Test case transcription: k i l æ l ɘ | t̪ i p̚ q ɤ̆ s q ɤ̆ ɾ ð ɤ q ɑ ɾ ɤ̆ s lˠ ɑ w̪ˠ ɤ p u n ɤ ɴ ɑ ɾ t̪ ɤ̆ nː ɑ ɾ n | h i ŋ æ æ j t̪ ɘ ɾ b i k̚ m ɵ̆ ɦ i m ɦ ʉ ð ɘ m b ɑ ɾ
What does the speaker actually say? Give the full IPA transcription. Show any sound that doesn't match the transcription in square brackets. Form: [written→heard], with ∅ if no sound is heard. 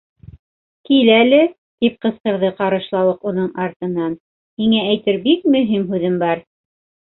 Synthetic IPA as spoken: k i l æ l ɘ | t̪ i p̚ q ɤ̆ s q ɤ̆ ɾ ð ɤ q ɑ ɾ ɤ̆ [s→ʃ] lˠ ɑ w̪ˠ ɤ [p→q] u n ɤ ɴ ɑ ɾ t̪ ɤ̆ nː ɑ [ɾ→∅] n | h i ŋ æ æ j t̪ ɘ ɾ b i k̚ m ɵ̆ ɦ i m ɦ ʉ ð ɘ m b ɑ ɾ

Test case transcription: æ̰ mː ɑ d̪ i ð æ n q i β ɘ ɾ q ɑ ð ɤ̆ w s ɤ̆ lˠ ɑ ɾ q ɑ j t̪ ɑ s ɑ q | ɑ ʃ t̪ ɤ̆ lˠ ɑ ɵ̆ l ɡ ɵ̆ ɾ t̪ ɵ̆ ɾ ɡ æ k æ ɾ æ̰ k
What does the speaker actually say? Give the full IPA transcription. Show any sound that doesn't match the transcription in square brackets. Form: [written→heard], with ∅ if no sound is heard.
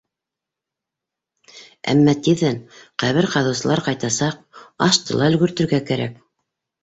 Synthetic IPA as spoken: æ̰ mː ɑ [d̪→t̪] i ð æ n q [i→æ] β ɘ ɾ q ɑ ð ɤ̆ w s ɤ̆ lˠ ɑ ɾ q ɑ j t̪ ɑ s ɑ q | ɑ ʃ t̪ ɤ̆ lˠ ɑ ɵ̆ l ɡ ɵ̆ ɾ t̪ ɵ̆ ɾ ɡ æ k æ ɾ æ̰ k

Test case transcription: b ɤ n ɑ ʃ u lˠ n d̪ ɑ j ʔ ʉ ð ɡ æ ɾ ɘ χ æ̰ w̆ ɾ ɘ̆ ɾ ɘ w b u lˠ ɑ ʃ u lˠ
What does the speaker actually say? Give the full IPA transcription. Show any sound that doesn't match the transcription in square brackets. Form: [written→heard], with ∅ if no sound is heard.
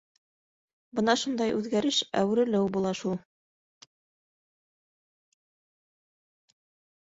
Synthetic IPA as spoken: b ɤ n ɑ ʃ u [lˠ→∅] n d̪ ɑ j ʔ ʉ ð ɡ æ ɾ ɘ [χ→ʃ] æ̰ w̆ ɾ ɘ̆ [ɾ→l] ɘ w b u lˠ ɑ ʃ u lˠ

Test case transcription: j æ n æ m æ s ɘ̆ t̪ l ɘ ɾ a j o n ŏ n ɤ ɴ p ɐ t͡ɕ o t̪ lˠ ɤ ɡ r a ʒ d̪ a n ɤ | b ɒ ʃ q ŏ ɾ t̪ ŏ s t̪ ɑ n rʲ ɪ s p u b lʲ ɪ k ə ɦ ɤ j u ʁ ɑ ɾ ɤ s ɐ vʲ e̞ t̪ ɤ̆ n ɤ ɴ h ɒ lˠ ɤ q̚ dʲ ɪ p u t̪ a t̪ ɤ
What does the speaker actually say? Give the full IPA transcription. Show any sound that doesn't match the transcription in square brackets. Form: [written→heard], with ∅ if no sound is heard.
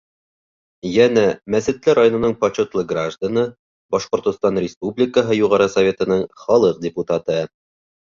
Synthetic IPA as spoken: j æ n æ m æ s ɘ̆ t̪ l ɘ ɾ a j o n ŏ n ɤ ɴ p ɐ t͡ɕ o t̪ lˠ ɤ ɡ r a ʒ d̪ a n ɤ | b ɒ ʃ q ŏ ɾ t̪ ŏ s t̪ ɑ n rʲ ɪ s p u b lʲ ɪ k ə ɦ ɤ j u ʁ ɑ ɾ ɤ s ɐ vʲ e̞ t̪ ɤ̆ n ɤ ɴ [h→χ] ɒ lˠ ɤ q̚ dʲ ɪ p u t̪ a t̪ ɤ

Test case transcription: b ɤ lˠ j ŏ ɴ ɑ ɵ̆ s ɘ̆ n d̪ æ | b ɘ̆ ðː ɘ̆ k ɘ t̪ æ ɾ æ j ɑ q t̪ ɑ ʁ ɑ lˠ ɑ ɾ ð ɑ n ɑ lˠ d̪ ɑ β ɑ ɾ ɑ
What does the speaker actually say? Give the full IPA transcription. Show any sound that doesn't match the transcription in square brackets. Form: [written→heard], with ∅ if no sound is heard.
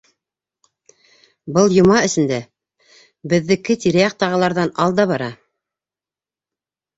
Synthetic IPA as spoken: b ɤ lˠ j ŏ [ɴ→m] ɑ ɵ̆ s ɘ̆ n d̪ æ | b ɘ̆ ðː ɘ̆ k ɘ t̪ [æ→i] ɾ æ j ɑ q t̪ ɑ ʁ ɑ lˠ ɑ ɾ ð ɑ n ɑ lˠ d̪ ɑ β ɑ ɾ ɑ

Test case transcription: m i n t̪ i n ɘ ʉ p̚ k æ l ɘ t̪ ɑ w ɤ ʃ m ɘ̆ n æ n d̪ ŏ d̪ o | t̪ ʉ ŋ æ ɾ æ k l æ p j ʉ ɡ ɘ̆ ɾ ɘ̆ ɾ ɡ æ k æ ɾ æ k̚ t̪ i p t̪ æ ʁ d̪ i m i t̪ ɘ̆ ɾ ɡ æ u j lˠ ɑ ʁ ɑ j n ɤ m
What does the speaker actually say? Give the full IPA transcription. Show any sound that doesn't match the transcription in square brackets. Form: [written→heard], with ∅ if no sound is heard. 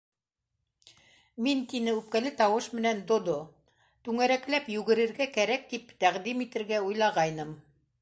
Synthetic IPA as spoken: m i n t̪ i n ɘ ʉ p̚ k æ l ɘ t̪ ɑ w ɤ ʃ m ɘ̆ n æ n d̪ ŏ d̪ o | t̪ ʉ ŋ æ ɾ æ k l æ p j ʉ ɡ ɘ̆ ɾ ɘ̆ ɾ ɡ æ k æ ɾ æ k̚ t̪ i p t̪ æ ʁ d̪ i m i t̪ ɘ̆ ɾ ɡ æ u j lˠ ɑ ʁ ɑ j n ɤ m

